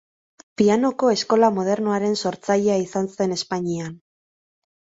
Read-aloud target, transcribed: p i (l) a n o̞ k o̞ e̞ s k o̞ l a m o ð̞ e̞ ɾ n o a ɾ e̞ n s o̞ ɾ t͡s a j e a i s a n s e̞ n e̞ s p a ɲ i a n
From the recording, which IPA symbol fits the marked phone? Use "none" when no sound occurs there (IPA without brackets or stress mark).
none